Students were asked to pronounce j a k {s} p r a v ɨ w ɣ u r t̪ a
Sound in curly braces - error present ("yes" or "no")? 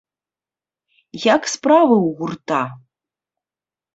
no